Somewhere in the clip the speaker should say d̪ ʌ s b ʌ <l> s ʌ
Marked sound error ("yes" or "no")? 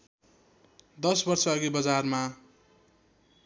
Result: yes